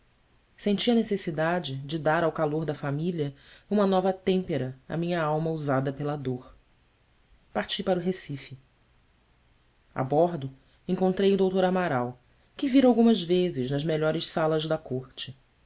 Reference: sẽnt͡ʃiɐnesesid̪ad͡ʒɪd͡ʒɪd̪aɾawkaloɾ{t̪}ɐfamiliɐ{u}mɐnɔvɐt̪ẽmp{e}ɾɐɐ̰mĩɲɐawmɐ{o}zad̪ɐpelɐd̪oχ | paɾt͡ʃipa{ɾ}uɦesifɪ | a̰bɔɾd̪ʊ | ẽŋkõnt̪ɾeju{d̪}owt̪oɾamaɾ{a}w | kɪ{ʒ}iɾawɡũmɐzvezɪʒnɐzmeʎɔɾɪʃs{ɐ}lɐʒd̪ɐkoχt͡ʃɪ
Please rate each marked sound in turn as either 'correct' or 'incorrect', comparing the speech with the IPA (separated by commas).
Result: incorrect, incorrect, correct, incorrect, correct, correct, correct, incorrect, incorrect